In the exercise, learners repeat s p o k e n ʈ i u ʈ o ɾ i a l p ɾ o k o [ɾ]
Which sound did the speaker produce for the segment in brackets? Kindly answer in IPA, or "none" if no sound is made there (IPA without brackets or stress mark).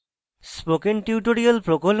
l